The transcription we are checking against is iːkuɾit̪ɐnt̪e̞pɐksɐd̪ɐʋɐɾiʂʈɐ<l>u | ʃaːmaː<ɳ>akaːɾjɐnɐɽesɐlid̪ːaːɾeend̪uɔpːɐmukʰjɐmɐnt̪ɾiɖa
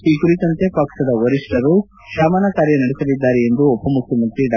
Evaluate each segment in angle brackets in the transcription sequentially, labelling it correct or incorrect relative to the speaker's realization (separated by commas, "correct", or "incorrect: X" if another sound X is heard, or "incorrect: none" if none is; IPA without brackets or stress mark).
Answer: incorrect: ɾ, incorrect: n